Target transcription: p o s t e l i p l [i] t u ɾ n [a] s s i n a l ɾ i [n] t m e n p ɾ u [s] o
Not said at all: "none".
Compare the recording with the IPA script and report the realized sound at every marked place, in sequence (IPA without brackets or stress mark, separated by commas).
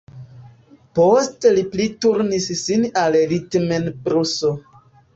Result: i, i, none, s